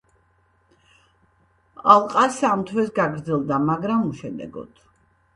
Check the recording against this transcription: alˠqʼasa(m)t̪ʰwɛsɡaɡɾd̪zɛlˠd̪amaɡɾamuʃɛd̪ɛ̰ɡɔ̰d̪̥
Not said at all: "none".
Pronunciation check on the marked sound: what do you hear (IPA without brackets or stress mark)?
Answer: m